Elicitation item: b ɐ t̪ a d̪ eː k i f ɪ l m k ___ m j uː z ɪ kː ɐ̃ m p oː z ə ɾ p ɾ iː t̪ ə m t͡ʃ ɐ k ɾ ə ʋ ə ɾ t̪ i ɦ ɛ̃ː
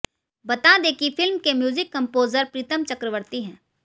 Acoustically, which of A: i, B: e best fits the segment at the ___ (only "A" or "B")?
B